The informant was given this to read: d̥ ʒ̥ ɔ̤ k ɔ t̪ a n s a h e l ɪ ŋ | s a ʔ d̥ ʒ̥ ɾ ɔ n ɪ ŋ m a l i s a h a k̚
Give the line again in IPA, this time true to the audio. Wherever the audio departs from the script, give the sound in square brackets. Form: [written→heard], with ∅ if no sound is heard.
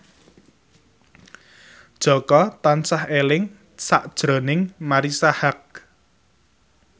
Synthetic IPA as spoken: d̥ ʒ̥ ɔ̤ k ɔ t̪ a n s a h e l ɪ ŋ | s a ʔ d̥ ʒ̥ ɾ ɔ n ɪ ŋ m a [l→ɾ] i s a h a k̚